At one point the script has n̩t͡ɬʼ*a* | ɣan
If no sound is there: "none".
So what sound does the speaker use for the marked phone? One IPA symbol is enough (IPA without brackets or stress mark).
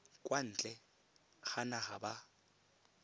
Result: ɛ